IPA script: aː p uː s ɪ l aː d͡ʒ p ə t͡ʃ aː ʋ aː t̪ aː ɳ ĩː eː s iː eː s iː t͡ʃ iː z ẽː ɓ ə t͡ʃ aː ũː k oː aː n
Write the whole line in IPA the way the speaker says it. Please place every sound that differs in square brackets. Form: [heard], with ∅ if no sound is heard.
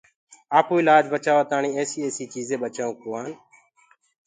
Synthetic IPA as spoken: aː p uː [∅] ɪ l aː d͡ʒ [b] ə t͡ʃ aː ʋ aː t̪ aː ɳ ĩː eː s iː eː s iː t͡ʃ iː z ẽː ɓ ə t͡ʃ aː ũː k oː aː n